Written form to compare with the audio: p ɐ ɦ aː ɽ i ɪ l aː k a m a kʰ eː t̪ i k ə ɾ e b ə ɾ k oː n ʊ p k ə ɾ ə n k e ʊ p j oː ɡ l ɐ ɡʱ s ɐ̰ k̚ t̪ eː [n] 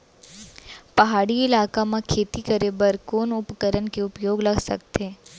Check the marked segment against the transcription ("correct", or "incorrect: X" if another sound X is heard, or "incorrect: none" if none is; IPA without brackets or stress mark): incorrect: none